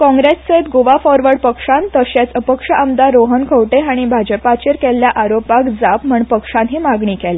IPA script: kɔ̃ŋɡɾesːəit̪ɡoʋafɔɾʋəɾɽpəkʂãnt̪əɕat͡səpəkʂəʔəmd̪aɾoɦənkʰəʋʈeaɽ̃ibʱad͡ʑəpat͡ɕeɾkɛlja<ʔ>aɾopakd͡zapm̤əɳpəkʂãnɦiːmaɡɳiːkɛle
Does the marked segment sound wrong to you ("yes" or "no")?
no